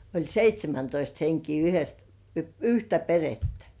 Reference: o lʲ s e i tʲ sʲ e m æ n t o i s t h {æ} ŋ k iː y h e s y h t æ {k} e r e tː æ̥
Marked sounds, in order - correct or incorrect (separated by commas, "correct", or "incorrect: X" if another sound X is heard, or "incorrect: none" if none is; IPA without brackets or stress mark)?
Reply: incorrect: e, incorrect: p